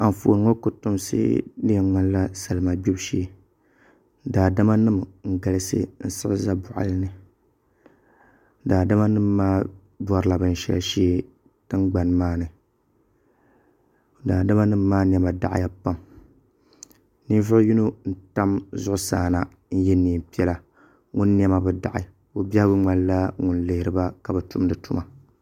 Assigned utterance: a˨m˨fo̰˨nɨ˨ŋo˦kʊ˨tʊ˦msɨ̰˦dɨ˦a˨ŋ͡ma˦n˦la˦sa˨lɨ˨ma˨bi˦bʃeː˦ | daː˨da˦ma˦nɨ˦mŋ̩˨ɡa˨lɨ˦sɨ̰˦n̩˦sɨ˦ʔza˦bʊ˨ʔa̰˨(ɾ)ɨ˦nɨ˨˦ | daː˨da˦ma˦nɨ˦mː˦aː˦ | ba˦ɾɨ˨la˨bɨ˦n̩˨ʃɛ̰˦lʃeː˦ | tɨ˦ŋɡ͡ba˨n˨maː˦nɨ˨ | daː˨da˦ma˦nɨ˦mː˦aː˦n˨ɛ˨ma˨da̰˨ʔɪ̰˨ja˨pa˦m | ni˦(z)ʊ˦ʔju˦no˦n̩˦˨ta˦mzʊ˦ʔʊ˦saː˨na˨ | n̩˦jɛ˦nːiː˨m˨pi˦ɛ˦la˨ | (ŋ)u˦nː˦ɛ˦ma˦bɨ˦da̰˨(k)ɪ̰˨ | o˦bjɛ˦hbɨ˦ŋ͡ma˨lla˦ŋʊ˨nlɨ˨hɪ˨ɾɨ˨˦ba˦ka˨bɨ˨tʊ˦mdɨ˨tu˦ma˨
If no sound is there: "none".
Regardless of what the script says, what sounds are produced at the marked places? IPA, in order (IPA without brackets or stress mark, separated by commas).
l, v, ŋ, ʔ